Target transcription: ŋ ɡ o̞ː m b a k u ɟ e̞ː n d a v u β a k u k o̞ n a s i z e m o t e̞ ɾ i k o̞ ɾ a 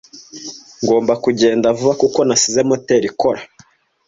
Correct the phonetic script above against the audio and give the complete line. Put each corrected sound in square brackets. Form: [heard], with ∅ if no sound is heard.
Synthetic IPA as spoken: ŋ ɡ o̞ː m b a k u ɟ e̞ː n d a v u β a k u k o̞ n a s i z e m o t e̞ ɾ i k o̞ ɾ a